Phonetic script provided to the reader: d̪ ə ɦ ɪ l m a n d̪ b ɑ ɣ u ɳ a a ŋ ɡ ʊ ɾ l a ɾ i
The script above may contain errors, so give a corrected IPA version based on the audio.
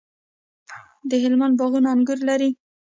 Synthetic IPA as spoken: d̪ ə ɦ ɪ l m a n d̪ b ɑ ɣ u n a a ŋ ɡ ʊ ɾ l a ɾ i